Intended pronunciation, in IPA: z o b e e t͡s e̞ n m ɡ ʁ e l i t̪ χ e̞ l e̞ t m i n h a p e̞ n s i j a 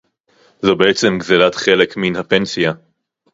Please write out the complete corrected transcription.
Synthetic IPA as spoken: z o b e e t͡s e̞ m ɡ z e l a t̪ χ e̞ l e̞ k m i n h a p e̞ n s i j a